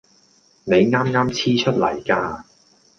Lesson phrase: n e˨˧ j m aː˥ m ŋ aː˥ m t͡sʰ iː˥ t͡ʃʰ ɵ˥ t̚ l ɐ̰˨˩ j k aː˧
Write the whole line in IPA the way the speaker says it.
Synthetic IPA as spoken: n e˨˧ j ŋ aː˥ m ŋ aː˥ m t͡sʰ iː˥ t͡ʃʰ ɵ˥ t̚ l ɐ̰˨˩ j k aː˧

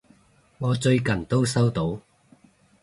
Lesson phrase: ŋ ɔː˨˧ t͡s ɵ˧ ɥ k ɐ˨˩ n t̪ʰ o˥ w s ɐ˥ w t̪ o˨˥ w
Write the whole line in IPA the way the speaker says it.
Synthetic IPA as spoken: ŋ ɔː˨˧ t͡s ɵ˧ ɥ k ɐ˨˩ n t̪ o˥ w s ɐ˥ w t̪ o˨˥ w

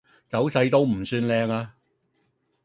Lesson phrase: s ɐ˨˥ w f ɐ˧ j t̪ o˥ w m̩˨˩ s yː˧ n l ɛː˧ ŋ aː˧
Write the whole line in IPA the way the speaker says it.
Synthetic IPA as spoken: t͡s ɐ˨˥ w s ɐ˧ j t̪ o˥ w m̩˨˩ s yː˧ n l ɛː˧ ŋ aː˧

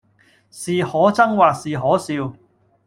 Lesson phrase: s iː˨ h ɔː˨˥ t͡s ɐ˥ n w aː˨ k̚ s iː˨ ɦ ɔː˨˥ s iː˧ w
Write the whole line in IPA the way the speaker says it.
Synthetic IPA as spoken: s iː˨ h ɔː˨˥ t͡s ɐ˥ ŋ w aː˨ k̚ s iː˨ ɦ ɔː˨˥ s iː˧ w

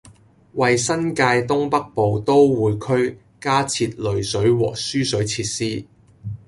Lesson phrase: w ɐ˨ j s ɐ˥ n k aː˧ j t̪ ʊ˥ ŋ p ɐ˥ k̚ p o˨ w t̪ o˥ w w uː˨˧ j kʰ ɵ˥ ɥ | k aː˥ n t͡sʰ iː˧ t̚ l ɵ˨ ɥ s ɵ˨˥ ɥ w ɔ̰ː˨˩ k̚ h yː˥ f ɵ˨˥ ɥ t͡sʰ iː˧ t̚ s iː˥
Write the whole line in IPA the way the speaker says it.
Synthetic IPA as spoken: w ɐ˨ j s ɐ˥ n k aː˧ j t̪ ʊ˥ ŋ p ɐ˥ k̚ p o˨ w t̪ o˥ w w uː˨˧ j kʰ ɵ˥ ɥ | k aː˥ t͡sʰ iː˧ t̚ l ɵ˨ ɥ s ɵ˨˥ ɥ w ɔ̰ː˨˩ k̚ s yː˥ s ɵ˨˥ ɥ t͡sʰ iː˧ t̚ s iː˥

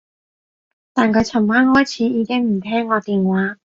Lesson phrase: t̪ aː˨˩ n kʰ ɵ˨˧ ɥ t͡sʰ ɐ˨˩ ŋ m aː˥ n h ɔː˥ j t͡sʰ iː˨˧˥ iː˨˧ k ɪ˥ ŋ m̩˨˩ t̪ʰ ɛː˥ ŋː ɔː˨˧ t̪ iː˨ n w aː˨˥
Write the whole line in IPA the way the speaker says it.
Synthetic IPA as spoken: t̪ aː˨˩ n kʰ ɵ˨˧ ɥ t͡sʰ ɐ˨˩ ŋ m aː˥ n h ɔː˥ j t͡sʰ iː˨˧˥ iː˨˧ k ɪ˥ ŋ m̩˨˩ t̪ʰ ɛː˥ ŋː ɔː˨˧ t̪ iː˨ n w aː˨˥

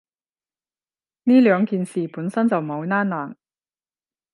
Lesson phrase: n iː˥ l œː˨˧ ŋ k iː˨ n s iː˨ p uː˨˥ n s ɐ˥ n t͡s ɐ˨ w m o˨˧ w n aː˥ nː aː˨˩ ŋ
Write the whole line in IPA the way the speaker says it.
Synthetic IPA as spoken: n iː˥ l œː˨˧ ŋ k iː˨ n s iː˨ p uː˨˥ n s ɐ˥ n t͡s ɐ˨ w m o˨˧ w n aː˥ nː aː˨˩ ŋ

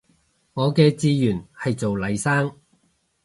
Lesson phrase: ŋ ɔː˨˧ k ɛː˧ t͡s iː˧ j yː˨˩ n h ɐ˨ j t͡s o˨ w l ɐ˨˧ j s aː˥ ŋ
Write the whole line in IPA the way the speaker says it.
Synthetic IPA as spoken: ŋ ɔː˨˧ k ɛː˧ t͡s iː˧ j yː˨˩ n h ɐ˨ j t͡s o˨ w l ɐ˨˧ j s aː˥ ŋ

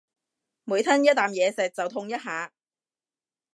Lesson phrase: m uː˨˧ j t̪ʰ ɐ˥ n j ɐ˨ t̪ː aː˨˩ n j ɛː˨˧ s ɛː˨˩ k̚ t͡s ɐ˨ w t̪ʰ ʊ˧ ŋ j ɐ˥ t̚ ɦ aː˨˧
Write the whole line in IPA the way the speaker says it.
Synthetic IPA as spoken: m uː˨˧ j t̪ʰ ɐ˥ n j ɐ˥ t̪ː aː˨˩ m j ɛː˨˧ s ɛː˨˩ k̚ t͡s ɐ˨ w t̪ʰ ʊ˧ ŋ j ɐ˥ t̚ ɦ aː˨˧

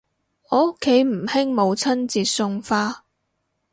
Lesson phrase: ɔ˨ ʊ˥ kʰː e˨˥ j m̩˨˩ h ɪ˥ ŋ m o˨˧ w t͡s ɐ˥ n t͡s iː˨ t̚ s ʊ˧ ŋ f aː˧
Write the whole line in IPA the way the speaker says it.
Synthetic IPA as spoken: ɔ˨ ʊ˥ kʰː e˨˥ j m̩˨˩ h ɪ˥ ŋ m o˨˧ w t͡sʰ ɐ˥ n t͡s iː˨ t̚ s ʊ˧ ŋ f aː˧

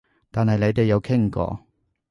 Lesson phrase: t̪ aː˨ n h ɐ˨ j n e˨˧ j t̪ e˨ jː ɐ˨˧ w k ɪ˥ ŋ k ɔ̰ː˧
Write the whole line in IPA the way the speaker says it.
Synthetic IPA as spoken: t̪ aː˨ n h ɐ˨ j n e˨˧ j t̪ e˨ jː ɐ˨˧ w kʰ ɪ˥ ŋ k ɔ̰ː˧

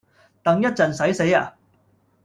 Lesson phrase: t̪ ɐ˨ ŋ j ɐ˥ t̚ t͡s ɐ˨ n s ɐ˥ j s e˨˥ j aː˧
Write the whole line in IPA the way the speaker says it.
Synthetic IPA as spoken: t̪ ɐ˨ ŋ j ɐ˥ t̚ t͡s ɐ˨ n s ɐ˨˥ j s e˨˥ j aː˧

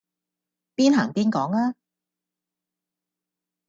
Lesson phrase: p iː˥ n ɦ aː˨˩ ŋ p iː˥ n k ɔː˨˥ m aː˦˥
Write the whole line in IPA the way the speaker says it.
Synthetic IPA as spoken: p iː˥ n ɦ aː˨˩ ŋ p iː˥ n k ɔː˨˥ ŋ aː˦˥

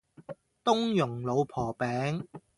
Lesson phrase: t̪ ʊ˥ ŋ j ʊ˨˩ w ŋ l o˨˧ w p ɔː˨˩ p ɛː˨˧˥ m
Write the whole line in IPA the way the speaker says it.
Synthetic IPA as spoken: t̪ ʊ˥ ŋ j ʊ˨˩ ŋ l o˨˧ w pʰ ɔː˨˩ p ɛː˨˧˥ ŋ

